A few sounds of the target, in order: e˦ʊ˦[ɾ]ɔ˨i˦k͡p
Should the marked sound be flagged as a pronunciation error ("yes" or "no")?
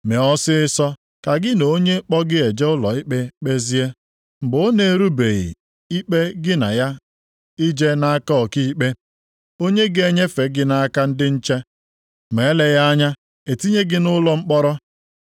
yes